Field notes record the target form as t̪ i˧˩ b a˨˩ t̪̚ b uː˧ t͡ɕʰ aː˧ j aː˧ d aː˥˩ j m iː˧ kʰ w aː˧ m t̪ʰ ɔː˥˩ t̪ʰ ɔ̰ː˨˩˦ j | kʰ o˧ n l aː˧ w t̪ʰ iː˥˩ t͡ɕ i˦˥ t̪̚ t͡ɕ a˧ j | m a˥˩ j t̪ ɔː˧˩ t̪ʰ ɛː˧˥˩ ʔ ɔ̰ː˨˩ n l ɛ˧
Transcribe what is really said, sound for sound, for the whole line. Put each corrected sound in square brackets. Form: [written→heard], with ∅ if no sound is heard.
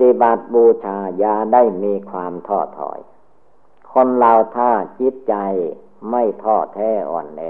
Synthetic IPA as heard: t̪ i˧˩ b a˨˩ t̪̚ b uː˧ t͡ɕʰ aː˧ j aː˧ d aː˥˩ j m iː˧ kʰ w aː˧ m t̪ʰ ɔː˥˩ t̪ʰ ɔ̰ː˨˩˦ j | kʰ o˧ n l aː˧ w t̪ʰ [iː˥˩→aː˥˩] t͡ɕ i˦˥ t̪̚ t͡ɕ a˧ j | m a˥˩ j [t̪→t̪ʰ] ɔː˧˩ t̪ʰ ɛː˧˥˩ ʔ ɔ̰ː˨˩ n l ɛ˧